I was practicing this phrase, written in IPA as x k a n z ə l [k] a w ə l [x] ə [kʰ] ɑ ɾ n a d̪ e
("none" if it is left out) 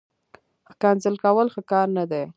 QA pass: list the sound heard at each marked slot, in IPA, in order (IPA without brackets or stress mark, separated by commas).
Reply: k, x, k